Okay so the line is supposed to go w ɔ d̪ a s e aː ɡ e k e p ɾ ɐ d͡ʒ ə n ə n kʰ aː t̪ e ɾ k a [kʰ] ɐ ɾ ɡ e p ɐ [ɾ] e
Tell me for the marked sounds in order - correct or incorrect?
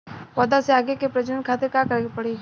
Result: incorrect: k, incorrect: ɽ

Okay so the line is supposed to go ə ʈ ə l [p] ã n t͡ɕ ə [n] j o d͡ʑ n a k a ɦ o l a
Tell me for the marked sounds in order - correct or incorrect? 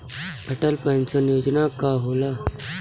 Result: correct, correct

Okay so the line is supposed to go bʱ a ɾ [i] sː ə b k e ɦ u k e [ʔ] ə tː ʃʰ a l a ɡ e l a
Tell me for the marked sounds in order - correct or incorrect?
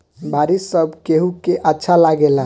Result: correct, correct

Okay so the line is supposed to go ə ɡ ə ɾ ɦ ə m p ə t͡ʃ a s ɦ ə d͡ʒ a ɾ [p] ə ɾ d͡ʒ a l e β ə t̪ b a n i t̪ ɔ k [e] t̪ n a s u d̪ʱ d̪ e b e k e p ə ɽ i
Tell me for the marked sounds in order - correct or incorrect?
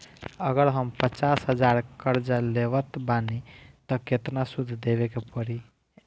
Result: incorrect: k, correct

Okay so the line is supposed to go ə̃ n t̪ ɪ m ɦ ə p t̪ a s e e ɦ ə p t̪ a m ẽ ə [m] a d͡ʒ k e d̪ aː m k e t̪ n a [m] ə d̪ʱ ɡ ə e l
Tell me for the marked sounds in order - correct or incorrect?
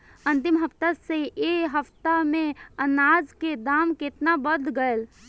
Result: incorrect: n, incorrect: b

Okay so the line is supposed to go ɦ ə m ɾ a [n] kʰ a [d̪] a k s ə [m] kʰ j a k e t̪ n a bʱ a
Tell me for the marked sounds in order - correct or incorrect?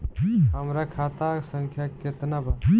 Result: incorrect: none, incorrect: t̪, incorrect: ŋ

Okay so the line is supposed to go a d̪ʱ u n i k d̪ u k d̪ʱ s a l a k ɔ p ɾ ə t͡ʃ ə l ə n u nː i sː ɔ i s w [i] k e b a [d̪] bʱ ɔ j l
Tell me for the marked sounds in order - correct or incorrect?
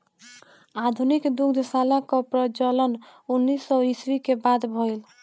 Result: correct, correct

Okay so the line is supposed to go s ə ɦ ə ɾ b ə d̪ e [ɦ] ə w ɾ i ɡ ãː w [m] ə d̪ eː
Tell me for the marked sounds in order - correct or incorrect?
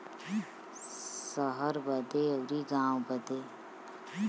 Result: incorrect: none, incorrect: b

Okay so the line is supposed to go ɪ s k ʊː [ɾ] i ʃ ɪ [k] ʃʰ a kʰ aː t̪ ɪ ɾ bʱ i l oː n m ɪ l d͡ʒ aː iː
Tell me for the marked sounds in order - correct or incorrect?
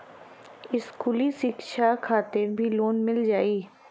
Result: incorrect: l, correct

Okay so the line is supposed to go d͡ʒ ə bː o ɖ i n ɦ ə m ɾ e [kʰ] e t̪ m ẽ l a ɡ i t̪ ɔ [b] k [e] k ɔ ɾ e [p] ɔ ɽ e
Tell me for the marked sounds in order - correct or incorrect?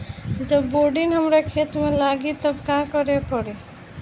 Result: correct, correct, incorrect: a, correct

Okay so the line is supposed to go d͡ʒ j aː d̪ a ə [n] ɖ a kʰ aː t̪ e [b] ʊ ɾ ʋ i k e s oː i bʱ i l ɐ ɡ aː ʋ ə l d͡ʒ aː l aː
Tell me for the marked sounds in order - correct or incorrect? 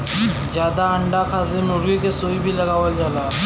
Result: incorrect: ɳ, incorrect: m

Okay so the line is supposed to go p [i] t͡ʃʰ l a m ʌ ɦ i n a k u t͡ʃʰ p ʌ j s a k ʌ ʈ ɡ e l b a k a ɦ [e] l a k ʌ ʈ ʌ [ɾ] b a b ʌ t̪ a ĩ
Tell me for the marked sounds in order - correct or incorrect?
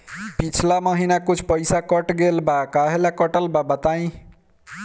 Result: correct, correct, incorrect: l

